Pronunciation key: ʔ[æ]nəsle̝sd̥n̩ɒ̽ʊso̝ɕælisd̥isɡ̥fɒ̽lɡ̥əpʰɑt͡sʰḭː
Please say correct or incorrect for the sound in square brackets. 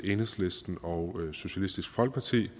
incorrect